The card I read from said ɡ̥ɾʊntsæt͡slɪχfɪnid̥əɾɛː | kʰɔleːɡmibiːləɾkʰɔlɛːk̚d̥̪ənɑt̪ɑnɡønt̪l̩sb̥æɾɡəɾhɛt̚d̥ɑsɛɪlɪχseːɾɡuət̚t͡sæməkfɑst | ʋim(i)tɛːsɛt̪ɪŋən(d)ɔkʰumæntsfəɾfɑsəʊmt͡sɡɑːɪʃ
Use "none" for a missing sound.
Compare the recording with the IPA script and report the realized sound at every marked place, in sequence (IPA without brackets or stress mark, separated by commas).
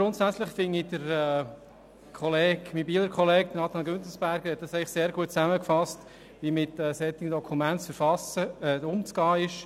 ɪ, d